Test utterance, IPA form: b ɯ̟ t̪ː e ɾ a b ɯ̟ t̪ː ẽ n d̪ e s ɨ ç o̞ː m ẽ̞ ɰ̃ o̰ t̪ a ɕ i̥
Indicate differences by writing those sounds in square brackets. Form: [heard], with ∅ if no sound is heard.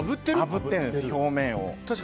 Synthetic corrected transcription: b ɯ̟ t̪ː e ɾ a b ɯ̟ t̪ː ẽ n d̪ e s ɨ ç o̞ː m ẽ̞ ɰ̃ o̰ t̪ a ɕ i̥